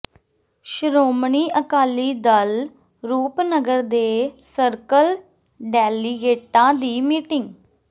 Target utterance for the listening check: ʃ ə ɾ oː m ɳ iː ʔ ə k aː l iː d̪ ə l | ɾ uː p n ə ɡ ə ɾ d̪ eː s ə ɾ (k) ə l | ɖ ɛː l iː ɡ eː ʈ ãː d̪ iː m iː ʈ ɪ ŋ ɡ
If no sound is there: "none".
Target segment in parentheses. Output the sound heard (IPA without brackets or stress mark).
k